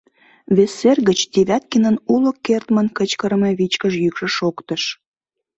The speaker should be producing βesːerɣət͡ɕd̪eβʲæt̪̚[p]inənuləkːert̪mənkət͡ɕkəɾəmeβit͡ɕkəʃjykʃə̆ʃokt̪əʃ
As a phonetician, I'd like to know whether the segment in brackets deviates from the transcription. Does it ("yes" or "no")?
yes